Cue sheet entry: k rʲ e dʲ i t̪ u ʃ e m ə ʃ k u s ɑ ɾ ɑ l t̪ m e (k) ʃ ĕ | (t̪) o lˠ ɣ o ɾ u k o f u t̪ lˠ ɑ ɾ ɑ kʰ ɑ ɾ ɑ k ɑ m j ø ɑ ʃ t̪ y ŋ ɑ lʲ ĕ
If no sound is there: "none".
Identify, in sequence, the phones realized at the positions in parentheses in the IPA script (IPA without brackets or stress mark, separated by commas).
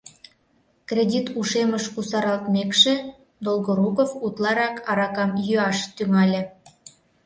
k, d̪